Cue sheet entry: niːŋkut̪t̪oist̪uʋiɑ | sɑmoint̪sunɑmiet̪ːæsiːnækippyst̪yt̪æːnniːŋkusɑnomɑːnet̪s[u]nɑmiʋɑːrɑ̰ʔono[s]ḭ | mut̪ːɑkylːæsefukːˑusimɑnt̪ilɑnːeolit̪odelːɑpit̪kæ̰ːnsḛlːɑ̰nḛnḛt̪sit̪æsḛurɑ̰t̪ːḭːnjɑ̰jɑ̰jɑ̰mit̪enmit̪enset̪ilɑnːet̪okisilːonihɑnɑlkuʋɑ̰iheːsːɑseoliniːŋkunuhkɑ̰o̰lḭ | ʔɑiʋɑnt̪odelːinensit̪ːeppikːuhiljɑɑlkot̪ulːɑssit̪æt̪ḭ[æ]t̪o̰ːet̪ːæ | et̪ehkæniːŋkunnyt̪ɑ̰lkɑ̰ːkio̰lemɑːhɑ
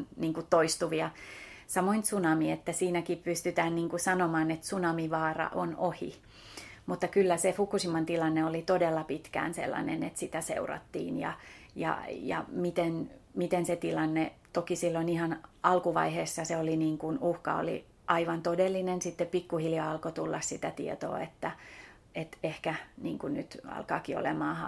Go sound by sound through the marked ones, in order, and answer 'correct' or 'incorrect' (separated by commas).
correct, incorrect, incorrect